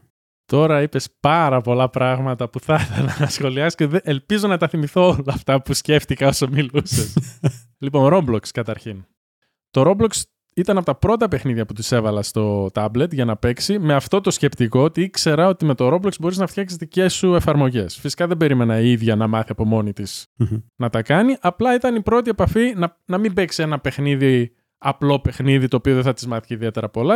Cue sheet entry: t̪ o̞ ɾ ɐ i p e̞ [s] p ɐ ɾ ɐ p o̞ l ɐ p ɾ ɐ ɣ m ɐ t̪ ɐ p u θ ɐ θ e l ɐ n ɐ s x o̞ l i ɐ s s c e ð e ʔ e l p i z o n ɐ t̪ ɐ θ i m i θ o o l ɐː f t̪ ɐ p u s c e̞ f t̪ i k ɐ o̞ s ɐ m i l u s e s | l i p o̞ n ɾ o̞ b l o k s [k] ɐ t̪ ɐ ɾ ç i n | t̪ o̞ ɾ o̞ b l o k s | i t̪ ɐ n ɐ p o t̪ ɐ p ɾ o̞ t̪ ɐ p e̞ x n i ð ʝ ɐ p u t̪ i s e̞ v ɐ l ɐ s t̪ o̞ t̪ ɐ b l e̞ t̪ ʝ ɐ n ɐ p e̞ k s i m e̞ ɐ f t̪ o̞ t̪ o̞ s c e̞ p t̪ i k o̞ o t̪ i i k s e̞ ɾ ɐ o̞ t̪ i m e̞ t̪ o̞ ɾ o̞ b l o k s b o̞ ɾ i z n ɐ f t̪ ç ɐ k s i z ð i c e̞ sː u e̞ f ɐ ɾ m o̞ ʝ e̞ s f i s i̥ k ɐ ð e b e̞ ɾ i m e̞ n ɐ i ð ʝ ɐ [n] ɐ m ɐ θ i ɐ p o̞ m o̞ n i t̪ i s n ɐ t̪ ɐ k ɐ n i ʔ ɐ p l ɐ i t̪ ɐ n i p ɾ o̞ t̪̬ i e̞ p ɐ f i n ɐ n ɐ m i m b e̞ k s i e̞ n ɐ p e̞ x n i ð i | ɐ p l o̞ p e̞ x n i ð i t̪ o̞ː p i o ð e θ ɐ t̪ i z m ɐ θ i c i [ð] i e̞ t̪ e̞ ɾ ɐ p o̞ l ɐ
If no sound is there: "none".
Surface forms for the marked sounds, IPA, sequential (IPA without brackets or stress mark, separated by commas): s, k, n, ð